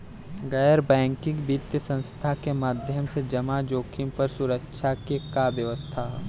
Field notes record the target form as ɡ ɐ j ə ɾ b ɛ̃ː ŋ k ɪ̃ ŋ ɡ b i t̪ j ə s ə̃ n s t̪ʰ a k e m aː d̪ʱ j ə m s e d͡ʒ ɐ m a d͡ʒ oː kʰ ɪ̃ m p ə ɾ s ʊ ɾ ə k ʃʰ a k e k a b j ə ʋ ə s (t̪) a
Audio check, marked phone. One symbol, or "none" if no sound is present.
t̪ʰ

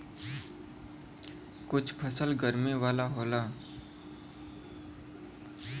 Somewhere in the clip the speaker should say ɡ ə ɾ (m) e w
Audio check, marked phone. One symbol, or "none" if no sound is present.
m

